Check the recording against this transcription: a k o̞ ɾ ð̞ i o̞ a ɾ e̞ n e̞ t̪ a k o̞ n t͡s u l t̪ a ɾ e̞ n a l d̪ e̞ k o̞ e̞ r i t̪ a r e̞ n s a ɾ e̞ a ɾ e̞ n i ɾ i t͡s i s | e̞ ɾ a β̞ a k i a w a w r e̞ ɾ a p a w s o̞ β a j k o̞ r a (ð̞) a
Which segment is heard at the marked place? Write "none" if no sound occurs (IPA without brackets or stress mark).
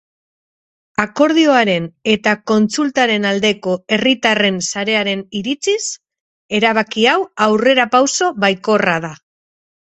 ð̞